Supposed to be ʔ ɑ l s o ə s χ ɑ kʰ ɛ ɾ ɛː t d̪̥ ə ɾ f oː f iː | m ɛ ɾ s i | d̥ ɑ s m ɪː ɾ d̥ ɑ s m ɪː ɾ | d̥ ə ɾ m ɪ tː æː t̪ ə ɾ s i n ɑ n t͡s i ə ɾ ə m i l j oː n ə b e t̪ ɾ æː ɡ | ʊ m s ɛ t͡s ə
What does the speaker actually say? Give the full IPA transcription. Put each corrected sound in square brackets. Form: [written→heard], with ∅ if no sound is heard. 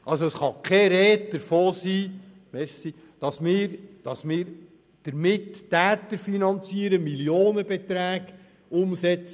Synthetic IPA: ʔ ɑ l s o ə s χ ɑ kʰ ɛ ɾ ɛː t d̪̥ ə ɾ f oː [f→s] iː | m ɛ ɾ s i | d̥ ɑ s m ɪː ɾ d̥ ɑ s m ɪː ɾ | d̥ ə ɾ m ɪ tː æː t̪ ə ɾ [s→f] i n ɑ n t͡s i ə ɾ ə m i l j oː n ə b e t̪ ɾ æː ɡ | ʊ m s ɛ t͡s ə